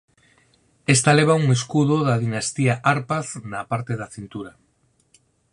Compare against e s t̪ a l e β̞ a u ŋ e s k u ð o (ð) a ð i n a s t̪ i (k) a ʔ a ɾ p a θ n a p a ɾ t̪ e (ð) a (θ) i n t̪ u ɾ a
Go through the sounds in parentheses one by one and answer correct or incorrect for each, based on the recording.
correct, incorrect, correct, correct

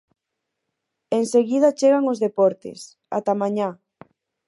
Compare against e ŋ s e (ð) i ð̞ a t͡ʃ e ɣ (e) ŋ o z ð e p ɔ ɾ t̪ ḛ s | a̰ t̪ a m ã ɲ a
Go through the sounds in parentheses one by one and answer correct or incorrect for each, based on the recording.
incorrect, incorrect

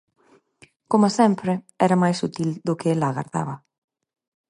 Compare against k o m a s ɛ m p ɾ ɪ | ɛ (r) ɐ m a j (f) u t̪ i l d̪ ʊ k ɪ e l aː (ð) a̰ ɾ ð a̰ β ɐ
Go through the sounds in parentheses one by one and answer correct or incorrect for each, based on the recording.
incorrect, incorrect, incorrect

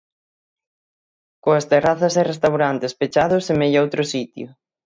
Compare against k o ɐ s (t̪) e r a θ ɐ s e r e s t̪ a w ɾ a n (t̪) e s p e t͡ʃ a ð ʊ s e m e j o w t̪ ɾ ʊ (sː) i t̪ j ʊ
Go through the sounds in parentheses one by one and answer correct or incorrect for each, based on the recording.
correct, correct, incorrect

